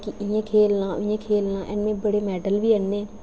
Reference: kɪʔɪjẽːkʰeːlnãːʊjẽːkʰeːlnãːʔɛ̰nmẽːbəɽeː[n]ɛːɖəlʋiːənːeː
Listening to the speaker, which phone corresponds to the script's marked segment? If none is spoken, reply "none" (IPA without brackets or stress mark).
m